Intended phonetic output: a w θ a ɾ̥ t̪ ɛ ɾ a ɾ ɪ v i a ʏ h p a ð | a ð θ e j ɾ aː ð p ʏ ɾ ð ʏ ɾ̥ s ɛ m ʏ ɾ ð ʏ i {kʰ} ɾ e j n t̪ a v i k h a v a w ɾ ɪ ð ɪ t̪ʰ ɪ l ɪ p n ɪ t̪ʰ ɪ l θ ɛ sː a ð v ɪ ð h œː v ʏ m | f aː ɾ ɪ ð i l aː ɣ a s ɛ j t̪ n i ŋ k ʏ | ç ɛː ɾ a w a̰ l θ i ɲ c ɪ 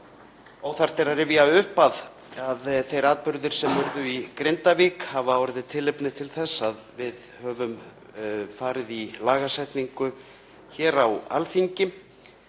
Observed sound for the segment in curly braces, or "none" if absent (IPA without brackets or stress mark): k